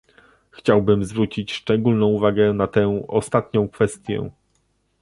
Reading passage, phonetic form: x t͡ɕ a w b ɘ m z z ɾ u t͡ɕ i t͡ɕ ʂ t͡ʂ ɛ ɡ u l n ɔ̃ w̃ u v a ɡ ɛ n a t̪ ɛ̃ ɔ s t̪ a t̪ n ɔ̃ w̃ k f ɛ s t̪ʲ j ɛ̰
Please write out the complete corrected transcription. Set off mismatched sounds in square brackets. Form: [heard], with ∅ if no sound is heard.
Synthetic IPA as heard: x t͡ɕ a w b ɘ m z [v] ɾ u t͡ɕ i t͡ɕ ʂ t͡ʂ ɛ ɡ u l n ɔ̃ w̃ u v a ɡ ɛ n a t̪ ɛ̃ ɔ s t̪ a t̪ [ɲ] ɔ̃ w̃ k f ɛ s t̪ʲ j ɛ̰